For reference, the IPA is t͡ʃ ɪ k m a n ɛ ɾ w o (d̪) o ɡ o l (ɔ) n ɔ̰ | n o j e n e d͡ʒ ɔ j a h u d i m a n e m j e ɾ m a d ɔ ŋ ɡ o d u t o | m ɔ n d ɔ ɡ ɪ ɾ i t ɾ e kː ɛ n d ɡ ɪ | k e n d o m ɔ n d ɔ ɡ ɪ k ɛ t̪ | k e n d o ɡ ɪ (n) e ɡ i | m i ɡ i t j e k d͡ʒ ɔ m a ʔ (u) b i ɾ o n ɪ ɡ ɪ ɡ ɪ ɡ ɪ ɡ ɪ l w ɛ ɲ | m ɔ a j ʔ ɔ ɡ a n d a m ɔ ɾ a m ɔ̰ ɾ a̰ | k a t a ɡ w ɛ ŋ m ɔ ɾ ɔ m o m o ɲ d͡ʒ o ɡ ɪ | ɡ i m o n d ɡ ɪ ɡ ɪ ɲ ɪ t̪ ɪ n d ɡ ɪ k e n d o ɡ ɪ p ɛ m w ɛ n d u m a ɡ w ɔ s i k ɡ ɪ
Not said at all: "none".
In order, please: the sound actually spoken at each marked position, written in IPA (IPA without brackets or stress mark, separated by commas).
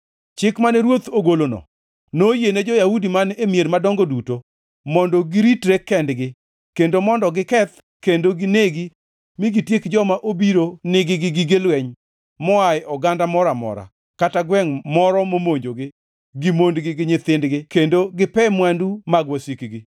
t̪, o, n, o